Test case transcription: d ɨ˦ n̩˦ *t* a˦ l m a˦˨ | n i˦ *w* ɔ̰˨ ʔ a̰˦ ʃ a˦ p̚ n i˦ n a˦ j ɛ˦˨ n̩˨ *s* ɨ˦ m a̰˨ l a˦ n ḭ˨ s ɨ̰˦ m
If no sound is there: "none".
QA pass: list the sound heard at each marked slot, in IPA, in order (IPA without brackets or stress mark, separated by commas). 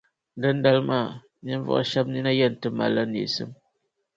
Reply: d, v, t